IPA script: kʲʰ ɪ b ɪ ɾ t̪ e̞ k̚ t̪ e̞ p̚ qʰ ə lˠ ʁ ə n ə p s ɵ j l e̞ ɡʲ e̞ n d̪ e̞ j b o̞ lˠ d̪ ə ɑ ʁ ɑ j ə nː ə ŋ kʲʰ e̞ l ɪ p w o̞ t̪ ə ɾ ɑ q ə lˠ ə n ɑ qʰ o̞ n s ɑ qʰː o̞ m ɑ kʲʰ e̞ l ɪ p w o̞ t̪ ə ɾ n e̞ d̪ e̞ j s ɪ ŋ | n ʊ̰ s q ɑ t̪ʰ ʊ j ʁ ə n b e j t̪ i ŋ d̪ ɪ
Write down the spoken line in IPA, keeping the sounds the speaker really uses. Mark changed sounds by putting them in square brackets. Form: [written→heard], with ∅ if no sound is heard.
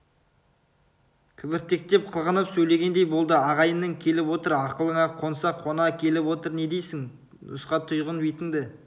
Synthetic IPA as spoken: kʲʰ ɪ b ɪ ɾ t̪ e̞ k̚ t̪ e̞ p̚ qʰ ə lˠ ʁ ə n ə p s ɵ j l e̞ ɡʲ e̞ n d̪ e̞ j b o̞ lˠ d̪ ə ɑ ʁ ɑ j ə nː ə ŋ kʲʰ e̞ l ɪ p w o̞ t̪ ə ɾ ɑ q ə lˠ ə [n→ɴ] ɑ qʰ o̞ n s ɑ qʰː o̞ [m→n] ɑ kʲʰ e̞ l ɪ p w o̞ t̪ ə ɾ n e̞ d̪ e̞ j s ɪ ŋ | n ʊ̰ s q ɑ t̪ʰ ʊ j ʁ ə n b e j t̪ [i→ɪ] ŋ d̪ ɪ